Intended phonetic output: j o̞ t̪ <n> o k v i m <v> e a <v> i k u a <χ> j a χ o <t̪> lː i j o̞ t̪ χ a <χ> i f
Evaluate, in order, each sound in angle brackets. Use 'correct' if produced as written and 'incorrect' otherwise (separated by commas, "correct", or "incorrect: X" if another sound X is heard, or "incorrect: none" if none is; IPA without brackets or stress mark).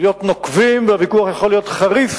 correct, correct, correct, correct, incorrect: none, incorrect: ʁ